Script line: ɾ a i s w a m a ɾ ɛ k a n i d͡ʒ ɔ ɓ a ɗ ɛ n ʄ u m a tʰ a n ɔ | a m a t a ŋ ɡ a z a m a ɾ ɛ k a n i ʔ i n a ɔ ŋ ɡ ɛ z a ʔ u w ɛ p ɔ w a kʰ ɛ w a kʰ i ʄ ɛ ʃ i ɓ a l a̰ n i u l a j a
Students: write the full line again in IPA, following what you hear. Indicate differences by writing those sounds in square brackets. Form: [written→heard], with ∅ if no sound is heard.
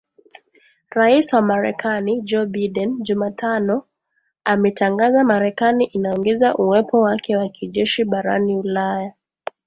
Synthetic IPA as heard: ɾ a i s w a m a ɾ ɛ k a n i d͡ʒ ɔ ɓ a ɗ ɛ n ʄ u m a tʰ a n ɔ | a m [a→ɛ] t a ŋ ɡ a z a m a ɾ ɛ k a n i ʔ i n a ɔ ŋ ɡ ɛ z a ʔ u w ɛ p ɔ w a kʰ ɛ w a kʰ i ʄ ɛ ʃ i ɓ a [l→ɾ] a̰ n i u l a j a